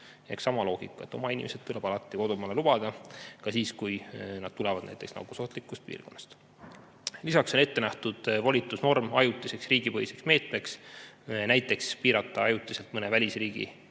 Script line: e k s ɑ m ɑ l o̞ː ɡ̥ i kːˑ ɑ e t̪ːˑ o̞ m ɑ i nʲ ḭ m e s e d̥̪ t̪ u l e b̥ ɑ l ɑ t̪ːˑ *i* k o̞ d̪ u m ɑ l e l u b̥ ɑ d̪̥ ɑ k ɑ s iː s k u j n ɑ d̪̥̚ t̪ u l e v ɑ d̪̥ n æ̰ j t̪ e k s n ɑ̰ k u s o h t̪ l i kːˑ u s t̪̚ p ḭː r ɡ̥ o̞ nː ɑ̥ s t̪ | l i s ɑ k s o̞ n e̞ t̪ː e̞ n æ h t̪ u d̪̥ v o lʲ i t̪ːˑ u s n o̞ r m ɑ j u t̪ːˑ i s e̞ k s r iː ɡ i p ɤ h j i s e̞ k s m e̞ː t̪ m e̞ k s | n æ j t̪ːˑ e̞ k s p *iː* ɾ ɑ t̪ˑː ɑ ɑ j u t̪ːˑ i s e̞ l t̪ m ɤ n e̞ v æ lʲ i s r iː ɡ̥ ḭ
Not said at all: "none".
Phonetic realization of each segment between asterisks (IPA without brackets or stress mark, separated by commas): i, iː